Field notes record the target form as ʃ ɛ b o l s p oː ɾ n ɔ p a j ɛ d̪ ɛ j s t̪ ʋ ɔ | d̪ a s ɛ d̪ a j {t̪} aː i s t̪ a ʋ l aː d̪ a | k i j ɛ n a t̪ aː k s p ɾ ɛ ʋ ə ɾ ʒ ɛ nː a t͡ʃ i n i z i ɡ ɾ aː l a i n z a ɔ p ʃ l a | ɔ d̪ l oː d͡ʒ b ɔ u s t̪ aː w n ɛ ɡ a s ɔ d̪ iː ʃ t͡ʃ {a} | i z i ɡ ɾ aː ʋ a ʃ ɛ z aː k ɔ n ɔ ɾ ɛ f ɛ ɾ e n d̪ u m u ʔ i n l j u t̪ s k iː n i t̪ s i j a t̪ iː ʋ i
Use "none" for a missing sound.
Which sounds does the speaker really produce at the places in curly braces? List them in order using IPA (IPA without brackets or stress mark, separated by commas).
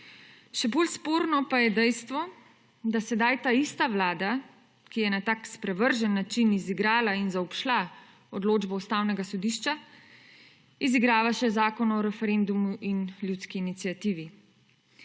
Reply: t̪, a